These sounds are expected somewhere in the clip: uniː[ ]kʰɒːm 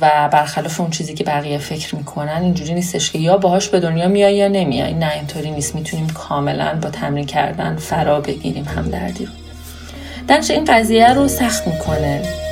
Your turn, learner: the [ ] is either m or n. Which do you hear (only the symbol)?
m